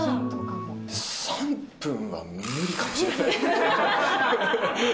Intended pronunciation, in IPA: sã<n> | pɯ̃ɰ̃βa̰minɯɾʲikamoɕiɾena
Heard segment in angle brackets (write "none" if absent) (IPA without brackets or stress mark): m